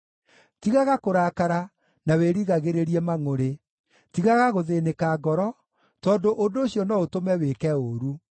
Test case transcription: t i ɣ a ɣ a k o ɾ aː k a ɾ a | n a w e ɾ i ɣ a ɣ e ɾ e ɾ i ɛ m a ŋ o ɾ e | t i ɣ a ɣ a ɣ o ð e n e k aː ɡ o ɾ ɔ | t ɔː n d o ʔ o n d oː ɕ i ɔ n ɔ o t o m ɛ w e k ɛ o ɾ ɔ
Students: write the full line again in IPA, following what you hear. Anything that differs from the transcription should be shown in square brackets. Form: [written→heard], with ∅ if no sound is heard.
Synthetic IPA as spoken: t i ɣ a ɣ a k o ɾ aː k a ɾ a | n a w e ɾ i ɣ a ɣ e ɾ e ɾ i ɛ m a ŋ o ɾ e | t i ɣ a ɣ a ɣ o ð e n e k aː ɡ [o→ɔ] ɾ ɔ | t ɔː n d o ʔ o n d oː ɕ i ɔ n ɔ o t o m ɛ w e k ɛ o ɾ [ɔ→u]